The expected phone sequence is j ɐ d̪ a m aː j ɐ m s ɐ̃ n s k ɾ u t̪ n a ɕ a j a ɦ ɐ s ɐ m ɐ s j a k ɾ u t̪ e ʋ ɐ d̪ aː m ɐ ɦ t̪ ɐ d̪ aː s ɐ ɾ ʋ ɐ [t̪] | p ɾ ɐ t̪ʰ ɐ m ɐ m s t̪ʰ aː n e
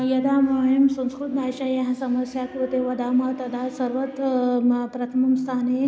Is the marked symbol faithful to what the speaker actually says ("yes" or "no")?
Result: yes